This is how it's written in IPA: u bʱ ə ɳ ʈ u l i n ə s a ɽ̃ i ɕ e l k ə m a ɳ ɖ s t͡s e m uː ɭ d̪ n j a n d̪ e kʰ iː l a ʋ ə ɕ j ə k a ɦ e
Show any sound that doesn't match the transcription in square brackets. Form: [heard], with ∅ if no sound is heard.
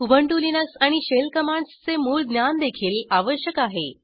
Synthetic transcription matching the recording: u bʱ ə ɳ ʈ u l i n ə s a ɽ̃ i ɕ e l k ə m a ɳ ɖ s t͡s e m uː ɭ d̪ n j a n d̪ e kʰ iː l a ʋ ə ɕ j ə k a ɦ e